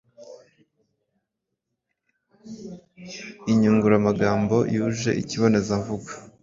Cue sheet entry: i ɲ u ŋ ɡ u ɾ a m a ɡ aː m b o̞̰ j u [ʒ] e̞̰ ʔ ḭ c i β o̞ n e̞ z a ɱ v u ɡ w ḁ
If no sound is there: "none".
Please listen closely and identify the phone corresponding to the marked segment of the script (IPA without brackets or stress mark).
ʒ